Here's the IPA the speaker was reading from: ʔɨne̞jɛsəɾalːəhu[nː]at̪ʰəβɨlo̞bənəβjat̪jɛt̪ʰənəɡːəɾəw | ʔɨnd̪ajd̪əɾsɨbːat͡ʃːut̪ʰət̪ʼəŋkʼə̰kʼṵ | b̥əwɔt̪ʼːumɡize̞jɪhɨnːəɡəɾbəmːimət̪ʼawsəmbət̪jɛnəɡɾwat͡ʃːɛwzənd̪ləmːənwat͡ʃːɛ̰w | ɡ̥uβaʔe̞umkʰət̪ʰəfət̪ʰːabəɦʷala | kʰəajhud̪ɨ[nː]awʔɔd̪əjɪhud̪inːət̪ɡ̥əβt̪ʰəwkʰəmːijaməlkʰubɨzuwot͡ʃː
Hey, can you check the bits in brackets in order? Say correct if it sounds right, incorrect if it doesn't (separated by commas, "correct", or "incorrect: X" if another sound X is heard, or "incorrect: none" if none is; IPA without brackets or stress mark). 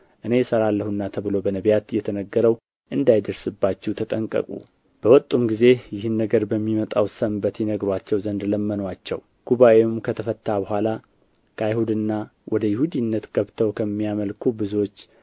correct, correct